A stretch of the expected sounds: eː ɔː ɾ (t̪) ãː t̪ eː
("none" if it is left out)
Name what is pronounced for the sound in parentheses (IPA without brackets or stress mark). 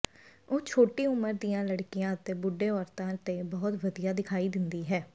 t̪